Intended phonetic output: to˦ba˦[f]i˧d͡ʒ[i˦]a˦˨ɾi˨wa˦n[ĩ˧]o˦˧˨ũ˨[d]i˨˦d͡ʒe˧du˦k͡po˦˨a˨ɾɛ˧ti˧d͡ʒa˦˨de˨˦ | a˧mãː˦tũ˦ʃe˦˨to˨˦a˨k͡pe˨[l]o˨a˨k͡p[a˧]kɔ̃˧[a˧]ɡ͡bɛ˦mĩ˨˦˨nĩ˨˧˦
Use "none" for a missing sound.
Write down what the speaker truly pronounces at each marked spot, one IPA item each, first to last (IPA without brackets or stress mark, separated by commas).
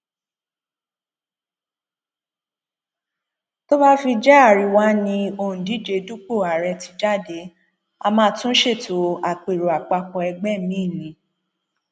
f, ɛ˦, ĩ˧, d, ɾ, a˧, ɛ˧